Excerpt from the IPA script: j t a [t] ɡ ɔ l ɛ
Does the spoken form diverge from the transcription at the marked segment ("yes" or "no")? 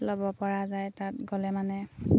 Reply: no